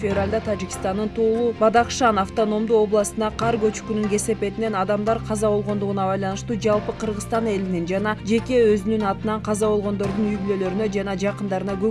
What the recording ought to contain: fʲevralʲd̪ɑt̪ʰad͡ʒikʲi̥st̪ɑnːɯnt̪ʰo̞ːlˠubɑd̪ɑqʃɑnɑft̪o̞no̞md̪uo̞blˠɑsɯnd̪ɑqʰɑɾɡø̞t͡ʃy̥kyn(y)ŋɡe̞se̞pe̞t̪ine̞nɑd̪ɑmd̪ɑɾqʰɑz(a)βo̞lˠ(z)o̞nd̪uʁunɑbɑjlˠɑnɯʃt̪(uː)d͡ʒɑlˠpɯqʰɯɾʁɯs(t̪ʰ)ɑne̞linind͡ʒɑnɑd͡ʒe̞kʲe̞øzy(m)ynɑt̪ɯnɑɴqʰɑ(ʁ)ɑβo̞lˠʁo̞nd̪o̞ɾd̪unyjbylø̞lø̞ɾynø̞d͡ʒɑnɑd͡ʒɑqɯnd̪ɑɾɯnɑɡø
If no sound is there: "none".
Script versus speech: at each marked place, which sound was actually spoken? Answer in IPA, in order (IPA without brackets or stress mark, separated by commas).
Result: y, ɑ, ʁ, uː, t̪, n, z